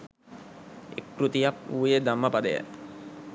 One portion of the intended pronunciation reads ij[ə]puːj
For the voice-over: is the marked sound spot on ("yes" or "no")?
no